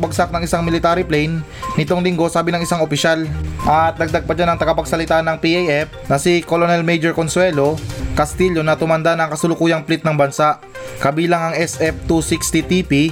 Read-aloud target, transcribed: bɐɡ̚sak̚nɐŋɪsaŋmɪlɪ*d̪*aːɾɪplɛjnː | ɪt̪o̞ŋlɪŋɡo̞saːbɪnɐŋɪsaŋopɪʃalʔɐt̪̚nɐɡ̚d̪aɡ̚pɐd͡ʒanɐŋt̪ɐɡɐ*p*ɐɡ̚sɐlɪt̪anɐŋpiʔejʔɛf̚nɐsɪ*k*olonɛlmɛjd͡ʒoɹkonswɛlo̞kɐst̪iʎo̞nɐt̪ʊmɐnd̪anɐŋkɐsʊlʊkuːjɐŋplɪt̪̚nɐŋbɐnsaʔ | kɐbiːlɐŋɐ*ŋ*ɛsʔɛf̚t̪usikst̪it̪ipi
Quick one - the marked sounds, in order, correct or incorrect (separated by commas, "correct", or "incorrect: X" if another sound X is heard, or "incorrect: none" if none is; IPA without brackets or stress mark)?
incorrect: t̪, correct, correct, correct